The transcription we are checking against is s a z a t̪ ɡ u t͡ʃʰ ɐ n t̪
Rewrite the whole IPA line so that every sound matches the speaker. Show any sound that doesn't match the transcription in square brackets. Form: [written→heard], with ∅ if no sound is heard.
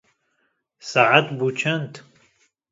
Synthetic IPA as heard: s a [z→ʕ] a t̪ [ɡ→b] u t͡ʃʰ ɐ n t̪

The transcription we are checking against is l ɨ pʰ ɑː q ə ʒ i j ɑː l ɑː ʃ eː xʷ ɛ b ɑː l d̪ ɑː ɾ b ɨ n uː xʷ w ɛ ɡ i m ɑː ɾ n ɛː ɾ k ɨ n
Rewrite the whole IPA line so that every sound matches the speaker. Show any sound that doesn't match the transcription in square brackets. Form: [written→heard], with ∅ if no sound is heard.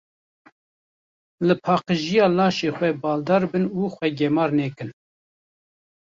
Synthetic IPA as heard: l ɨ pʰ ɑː q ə ʒ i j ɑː l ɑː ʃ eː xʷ ɛ b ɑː l d̪ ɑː ɾ b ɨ n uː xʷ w ɛ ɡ [i→ɛ] m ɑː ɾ n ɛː [ɾ→∅] k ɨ n

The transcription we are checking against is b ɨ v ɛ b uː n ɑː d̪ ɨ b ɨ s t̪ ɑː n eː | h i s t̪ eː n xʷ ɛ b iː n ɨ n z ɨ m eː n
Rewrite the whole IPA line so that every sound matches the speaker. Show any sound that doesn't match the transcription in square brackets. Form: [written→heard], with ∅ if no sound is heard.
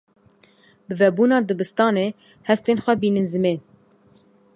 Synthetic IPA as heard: b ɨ v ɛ b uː n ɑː d̪ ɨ b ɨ s t̪ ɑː n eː | h [i→ɛ] s t̪ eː n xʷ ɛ b iː n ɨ n z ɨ m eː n

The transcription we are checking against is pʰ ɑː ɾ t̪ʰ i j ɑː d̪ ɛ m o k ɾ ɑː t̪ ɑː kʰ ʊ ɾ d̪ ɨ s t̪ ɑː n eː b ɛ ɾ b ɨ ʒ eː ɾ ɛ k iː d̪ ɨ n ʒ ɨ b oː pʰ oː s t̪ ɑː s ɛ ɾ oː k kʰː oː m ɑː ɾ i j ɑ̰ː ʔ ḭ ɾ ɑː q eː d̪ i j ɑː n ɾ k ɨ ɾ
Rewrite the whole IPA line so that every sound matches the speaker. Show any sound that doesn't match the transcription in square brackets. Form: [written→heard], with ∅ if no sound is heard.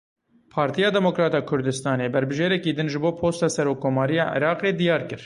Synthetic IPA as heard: pʰ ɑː ɾ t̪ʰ i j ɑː d̪ ɛ m o k ɾ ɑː t̪ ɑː kʰ ʊ ɾ d̪ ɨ s t̪ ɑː n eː b ɛ ɾ b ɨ ʒ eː ɾ ɛ k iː d̪ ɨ n ʒ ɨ b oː pʰ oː s t̪ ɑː s ɛ ɾ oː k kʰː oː m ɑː ɾ i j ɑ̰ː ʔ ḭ ɾ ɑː q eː d̪ i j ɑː [n→∅] ɾ k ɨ ɾ

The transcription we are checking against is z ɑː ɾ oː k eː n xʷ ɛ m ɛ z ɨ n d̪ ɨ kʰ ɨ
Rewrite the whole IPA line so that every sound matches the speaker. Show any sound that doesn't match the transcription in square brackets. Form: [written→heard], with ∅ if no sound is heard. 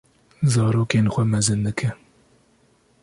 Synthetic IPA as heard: z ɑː ɾ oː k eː n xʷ ɛ m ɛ z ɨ n d̪ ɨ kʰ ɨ

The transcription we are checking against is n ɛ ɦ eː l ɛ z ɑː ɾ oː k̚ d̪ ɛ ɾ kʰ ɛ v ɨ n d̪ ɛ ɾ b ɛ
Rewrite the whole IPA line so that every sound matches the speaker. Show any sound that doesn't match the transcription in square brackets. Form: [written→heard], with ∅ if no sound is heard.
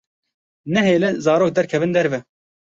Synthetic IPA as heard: n ɛ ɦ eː l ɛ z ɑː ɾ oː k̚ d̪ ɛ ɾ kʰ ɛ v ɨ n d̪ ɛ ɾ [b→v] ɛ

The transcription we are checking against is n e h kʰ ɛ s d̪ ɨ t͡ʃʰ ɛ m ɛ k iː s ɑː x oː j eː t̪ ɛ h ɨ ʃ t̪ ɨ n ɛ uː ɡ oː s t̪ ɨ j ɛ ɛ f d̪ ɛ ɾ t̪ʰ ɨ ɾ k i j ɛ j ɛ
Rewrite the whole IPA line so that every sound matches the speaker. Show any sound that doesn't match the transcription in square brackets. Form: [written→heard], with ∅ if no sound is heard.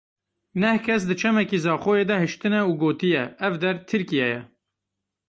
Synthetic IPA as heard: n [e→ɛ] h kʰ ɛ s d̪ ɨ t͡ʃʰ ɛ m ɛ k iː [s→z] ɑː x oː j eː [t̪→d̪] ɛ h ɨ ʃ t̪ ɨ n ɛ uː ɡ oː [s→∅] t̪ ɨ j ɛ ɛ [f→v] d̪ ɛ ɾ t̪ʰ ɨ ɾ k i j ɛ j ɛ

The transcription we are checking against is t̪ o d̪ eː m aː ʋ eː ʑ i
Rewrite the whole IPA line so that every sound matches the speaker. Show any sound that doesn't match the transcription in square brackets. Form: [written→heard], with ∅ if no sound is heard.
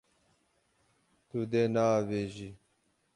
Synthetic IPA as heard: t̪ [o→u] d̪ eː [m→n] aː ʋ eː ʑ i

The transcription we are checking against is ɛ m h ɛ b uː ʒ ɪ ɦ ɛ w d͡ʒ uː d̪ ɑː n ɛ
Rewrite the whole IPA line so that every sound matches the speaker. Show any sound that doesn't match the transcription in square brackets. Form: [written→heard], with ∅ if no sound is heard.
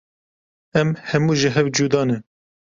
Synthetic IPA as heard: ɛ m h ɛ [b→m] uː ʒ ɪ ɦ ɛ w d͡ʒ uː d̪ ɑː n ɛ

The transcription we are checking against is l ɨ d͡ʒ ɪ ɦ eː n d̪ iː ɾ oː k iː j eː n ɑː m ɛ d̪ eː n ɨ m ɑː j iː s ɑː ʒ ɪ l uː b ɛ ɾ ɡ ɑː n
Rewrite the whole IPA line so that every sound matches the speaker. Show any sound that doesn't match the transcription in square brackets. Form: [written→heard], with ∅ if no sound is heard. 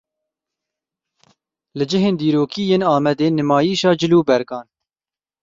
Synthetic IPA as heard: l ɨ d͡ʒ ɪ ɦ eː n d̪ iː ɾ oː k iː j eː n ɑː m ɛ d̪ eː n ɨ m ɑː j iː [s→ʃ] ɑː [ʒ→d͡ʒ] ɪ l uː b ɛ ɾ ɡ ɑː n

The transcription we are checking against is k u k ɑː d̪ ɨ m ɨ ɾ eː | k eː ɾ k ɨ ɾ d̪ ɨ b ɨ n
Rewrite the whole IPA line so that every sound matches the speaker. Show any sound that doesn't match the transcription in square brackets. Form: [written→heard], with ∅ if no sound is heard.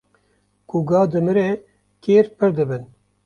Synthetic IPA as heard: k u [k→ɡ] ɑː d̪ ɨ m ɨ ɾ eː | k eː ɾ [k→p] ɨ ɾ d̪ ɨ b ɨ n

